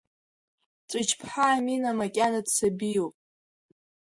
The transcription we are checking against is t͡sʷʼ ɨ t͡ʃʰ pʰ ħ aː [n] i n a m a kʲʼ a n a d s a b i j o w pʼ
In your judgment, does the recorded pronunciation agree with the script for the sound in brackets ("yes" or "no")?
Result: no